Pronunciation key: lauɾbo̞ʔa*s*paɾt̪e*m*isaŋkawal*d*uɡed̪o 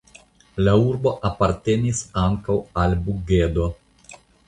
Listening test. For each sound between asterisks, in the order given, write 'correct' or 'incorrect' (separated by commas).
incorrect, incorrect, incorrect